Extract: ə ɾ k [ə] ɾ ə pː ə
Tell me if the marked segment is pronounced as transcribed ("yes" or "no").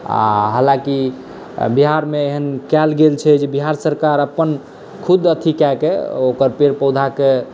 no